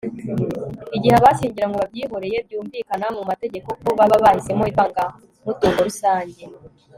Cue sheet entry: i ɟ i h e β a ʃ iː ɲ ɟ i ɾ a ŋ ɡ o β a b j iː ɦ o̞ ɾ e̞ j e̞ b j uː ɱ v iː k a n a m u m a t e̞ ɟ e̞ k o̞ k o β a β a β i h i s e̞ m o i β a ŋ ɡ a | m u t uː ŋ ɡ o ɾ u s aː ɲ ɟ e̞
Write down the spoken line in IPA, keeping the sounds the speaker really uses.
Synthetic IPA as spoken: i ɟ i h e β a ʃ iː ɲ ɟ i ɾ a ŋ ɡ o β a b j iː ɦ o̞ ɾ e̞ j e̞ b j uː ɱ v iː k a n a m u m a t e̞ ɟ e̞ k o̞ k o β a β a β a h i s e̞ m o i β a ŋ ɡ a | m u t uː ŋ ɡ o ɾ u s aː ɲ ɟ e̞